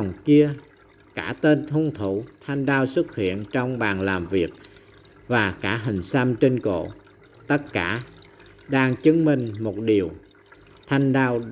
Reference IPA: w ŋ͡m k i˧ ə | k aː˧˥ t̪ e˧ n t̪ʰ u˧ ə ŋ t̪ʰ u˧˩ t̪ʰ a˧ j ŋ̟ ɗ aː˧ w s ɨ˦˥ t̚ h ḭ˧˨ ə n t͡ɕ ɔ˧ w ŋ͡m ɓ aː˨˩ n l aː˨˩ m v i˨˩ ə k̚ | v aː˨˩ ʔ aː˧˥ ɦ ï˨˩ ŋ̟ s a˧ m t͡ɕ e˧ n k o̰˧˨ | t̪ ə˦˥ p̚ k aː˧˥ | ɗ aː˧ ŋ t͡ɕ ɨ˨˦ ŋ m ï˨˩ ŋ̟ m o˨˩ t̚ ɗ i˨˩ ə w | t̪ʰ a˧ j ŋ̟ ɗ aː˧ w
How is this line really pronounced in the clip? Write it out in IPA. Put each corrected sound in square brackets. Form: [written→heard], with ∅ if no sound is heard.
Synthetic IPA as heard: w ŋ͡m k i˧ ə | k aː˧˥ t̪ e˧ n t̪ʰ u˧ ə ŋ t̪ʰ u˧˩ t̪ʰ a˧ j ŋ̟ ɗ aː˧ w s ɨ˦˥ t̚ h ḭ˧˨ ə n t͡ɕ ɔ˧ w ŋ͡m ɓ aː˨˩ n l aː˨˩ m v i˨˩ ə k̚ | v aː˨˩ [ʔ→k] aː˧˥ ɦ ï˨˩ ŋ̟ s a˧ m t͡ɕ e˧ n k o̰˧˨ | t̪ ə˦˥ [p̚→t̚] k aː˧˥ | ɗ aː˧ ŋ t͡ɕ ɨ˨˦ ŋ m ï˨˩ ŋ̟ m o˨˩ t̚ ɗ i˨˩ ə w | t̪ʰ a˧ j ŋ̟ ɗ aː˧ w